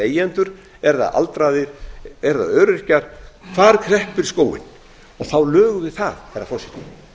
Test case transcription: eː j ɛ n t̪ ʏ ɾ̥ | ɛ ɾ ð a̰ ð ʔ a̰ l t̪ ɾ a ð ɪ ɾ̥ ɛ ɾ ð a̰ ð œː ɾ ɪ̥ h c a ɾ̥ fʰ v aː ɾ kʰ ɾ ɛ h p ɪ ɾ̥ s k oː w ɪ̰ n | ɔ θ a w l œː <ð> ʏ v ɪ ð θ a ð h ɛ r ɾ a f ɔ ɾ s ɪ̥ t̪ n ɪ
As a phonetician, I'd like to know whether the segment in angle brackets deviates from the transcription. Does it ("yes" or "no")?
yes